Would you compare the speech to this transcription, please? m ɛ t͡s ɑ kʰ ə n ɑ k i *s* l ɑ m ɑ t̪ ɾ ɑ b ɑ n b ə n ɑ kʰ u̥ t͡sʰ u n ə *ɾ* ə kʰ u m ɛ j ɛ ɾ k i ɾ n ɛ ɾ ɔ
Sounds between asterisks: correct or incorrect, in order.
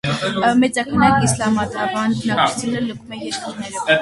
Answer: correct, incorrect

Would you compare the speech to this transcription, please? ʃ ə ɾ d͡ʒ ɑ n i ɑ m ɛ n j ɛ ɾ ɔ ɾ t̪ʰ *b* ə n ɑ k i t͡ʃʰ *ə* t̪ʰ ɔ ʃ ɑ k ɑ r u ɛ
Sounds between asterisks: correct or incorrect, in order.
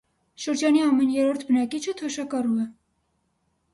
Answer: correct, correct

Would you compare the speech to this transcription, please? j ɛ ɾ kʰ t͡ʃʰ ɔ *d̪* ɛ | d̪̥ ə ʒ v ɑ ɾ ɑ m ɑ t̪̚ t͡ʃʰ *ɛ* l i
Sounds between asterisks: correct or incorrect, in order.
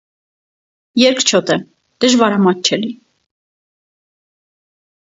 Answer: incorrect, correct

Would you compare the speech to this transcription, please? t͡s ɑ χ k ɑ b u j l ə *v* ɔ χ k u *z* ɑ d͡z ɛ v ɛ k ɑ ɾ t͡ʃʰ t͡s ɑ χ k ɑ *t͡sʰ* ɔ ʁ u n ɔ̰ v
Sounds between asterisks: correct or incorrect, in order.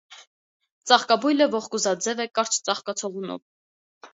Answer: correct, correct, correct

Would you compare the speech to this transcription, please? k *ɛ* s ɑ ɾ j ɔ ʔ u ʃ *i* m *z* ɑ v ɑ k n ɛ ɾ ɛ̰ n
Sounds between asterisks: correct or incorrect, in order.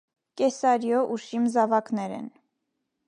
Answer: correct, correct, correct

